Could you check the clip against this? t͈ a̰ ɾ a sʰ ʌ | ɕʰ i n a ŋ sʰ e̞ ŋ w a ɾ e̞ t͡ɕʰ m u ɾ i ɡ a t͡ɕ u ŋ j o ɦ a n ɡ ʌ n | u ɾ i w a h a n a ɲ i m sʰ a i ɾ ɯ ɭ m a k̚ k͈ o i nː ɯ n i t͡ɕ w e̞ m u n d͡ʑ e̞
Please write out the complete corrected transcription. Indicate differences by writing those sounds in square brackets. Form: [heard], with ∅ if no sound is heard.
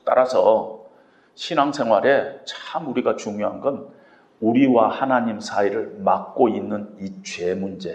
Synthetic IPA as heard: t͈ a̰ ɾ a sʰ ʌ | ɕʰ i n a ŋ sʰ e̞ ŋ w a ɾ e̞ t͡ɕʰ m u ɾ i ɡ a t͡ɕ u ŋ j o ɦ a n ɡ ʌ n | u ɾ i w a h a n a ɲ i m sʰ a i ɾ ɯ ɭ m a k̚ k͈ o i nː ɯ n i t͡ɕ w e̞ m u n d͡ʑ e̞